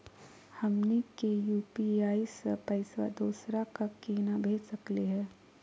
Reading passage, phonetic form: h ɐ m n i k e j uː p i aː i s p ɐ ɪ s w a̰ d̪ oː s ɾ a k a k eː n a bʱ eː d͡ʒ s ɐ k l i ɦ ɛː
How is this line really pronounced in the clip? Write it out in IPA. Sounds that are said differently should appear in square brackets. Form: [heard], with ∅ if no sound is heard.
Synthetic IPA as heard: h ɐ m n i k e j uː p i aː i s p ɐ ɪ s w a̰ d̪ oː s ɾ a k a k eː n a bʱ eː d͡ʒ s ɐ k l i ɦ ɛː